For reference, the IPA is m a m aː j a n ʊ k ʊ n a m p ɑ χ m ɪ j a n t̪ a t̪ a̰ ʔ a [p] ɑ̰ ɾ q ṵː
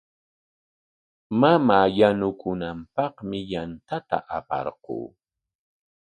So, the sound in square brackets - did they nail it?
yes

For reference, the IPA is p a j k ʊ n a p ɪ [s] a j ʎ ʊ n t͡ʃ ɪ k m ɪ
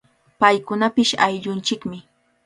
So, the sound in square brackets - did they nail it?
no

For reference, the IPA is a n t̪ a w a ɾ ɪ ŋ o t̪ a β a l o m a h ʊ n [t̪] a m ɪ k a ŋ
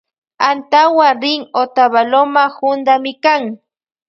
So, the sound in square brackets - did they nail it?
no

